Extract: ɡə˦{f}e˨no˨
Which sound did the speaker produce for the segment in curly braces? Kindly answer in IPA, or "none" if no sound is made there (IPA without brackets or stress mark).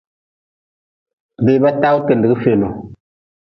f